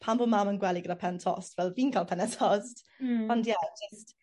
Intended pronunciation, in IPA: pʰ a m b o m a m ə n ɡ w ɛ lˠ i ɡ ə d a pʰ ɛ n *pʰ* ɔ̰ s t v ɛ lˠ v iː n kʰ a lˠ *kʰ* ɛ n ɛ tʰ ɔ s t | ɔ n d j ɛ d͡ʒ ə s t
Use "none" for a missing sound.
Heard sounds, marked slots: tʰ, pʰ

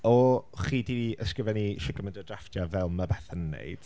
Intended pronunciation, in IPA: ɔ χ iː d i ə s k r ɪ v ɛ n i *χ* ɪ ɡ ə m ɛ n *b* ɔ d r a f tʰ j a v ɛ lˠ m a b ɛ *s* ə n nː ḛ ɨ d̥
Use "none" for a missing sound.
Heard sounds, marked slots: ʃ, d, θ

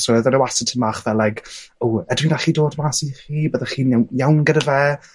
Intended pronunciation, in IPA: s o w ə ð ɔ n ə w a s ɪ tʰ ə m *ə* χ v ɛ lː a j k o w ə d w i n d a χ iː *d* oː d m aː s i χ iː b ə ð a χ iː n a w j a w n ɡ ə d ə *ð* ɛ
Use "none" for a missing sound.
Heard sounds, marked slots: a, d, v

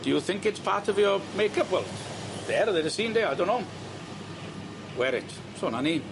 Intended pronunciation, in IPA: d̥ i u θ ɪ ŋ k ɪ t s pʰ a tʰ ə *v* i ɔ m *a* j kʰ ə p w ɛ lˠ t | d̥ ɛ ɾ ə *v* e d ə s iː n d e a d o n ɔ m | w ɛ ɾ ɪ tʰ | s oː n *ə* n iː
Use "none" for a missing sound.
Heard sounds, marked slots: v, e, ð, a

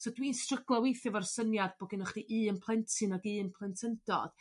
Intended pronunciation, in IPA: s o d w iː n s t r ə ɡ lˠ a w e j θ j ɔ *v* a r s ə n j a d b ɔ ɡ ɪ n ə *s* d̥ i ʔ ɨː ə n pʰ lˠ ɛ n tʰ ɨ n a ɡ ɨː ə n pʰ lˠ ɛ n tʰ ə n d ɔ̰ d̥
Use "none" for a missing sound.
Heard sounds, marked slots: v, χ

